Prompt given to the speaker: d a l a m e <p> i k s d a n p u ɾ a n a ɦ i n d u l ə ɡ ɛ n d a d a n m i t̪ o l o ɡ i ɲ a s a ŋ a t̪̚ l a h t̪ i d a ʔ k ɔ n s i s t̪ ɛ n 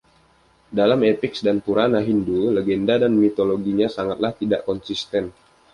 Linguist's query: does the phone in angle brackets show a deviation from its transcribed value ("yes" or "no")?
no